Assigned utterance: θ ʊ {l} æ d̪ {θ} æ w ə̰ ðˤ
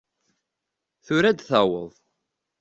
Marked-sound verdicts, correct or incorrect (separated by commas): incorrect, correct